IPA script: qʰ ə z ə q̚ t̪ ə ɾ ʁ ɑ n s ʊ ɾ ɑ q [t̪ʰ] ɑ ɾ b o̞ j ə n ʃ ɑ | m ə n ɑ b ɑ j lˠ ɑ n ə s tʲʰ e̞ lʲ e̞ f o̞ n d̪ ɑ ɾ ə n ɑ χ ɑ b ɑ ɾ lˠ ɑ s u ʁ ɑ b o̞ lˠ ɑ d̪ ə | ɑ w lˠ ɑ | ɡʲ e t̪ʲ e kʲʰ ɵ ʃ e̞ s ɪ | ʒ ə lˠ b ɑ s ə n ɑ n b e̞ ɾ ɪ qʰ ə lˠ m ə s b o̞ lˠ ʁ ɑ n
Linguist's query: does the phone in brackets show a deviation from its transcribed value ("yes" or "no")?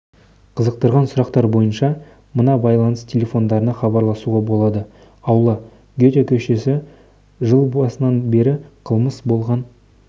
yes